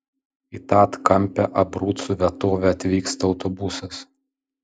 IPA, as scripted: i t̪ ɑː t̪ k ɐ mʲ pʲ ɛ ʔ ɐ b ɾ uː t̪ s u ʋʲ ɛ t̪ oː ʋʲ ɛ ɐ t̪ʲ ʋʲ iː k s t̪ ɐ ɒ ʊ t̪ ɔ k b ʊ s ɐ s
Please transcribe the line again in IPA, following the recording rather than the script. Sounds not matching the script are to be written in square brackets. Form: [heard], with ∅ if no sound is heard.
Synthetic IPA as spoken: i t̪ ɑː t̪ k ɐ mʲ pʲ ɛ ʔ ɐ b ɾ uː t̪ s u ʋʲ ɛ t̪ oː ʋʲ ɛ ɐ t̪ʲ ʋʲ iː k s t̪ ɐ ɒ ʊ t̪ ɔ [∅] b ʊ s ɐ s

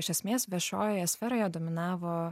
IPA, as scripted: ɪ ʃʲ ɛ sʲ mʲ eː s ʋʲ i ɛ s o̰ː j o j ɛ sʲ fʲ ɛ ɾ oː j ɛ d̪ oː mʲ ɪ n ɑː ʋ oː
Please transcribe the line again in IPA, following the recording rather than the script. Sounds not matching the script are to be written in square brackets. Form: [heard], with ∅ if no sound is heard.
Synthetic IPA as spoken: ɪ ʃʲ ɛ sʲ mʲ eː s ʋʲ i ɛ [ʃ] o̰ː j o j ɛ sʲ fʲ ɛ ɾ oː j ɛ d̪ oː mʲ ɪ n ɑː ʋ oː

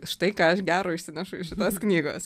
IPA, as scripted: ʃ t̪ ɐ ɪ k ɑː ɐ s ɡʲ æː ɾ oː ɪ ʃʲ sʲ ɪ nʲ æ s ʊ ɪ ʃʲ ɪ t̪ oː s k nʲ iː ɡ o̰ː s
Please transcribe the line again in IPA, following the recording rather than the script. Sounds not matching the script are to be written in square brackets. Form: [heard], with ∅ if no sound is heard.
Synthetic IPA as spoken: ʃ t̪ ɐ ɪ k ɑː ɐ [ʃ] ɡʲ æː ɾ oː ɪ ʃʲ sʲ ɪ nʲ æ [ʃ] ʊ ɪ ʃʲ ɪ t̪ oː s k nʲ iː ɡ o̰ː s

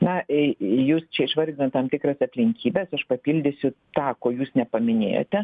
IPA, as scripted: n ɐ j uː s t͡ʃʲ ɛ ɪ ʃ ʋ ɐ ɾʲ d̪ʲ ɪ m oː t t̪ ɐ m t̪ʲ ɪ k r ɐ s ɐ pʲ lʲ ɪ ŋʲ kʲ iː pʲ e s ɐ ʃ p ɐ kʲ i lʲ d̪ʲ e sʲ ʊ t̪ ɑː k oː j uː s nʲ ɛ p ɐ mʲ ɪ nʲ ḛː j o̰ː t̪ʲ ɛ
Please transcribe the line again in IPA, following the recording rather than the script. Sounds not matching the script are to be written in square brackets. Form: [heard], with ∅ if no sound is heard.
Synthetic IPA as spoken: n ɐ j uː s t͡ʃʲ ɛ ɪ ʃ ʋ ɐ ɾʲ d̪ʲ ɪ [n] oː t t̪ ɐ m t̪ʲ ɪ k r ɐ s ɐ pʲ lʲ ɪ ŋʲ kʲ iː [bʲ] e s ɐ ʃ p ɐ [pʲ] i lʲ d̪ʲ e sʲ ʊ t̪ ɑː k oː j uː s nʲ ɛ p ɐ mʲ ɪ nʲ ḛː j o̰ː t̪ʲ ɛ

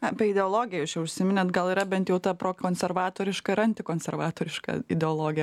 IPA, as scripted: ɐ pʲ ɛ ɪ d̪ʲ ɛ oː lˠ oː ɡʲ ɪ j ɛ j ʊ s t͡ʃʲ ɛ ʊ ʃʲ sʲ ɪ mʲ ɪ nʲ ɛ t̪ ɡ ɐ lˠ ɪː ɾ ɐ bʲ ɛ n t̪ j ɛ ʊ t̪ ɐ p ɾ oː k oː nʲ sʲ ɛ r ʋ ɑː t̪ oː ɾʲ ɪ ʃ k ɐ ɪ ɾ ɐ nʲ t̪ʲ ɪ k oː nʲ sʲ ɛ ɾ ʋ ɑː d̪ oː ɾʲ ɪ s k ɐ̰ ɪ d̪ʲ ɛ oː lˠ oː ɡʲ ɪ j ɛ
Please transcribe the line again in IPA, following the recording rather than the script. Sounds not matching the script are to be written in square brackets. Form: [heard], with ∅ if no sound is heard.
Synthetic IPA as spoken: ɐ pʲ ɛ ɪ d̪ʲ ɛ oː lˠ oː ɡʲ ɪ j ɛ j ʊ s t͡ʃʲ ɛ ʊ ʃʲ sʲ ɪ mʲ ɪ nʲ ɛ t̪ ɡ ɐ lˠ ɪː ɾ ɐ bʲ ɛ n t̪ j ɛ ʊ t̪ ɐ p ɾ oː k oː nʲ sʲ ɛ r ʋ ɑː t̪ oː ɾʲ ɪ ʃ k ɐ ɪ ɾ ɐ nʲ t̪ʲ ɪ k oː nʲ sʲ ɛ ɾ ʋ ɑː [t̪] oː ɾʲ ɪ [ʃ] k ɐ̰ ɪ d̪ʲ ɛ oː lˠ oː ɡʲ ɪ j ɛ

